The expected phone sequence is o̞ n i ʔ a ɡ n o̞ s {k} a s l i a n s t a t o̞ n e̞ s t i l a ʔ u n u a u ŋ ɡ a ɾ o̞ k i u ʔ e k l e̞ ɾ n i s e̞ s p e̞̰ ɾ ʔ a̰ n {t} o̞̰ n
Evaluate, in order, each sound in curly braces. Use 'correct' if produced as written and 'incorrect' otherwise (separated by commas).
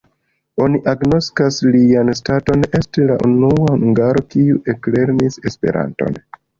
correct, correct